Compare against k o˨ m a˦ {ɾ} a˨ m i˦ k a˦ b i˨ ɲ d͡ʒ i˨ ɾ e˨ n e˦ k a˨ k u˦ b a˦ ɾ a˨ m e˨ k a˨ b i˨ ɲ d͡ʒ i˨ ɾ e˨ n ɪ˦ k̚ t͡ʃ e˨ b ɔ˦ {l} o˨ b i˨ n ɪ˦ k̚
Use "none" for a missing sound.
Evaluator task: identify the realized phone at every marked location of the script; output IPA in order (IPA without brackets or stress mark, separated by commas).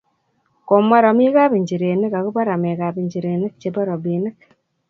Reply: ɾ, ɾ